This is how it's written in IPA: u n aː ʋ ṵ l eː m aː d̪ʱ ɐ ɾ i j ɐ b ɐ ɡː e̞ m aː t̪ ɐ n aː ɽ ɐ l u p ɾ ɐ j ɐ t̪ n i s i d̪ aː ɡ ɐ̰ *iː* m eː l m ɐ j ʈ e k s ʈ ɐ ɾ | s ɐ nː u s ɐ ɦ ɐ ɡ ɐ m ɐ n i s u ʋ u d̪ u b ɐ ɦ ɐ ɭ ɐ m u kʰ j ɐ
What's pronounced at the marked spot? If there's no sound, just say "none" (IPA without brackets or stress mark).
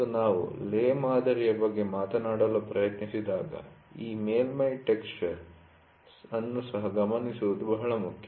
iː